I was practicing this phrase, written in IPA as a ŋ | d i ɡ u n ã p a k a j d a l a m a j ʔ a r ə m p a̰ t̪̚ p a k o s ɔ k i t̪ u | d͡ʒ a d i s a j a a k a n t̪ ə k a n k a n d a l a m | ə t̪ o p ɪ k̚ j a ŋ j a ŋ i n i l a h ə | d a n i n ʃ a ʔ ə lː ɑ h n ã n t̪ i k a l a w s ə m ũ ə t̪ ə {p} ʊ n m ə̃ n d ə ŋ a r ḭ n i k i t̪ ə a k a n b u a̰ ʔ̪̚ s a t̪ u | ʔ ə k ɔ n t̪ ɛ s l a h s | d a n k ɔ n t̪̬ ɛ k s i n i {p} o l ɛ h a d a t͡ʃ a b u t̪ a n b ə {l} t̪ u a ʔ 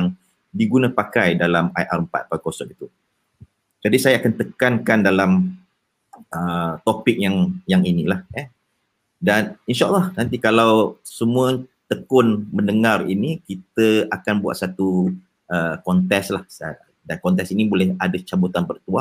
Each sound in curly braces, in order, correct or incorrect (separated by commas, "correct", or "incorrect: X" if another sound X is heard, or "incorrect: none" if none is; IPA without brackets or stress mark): incorrect: k, incorrect: b, incorrect: r